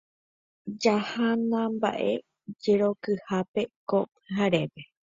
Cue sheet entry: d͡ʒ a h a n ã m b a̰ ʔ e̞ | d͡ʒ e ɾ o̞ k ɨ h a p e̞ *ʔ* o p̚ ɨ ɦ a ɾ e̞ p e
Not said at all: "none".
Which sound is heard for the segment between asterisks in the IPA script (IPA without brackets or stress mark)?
k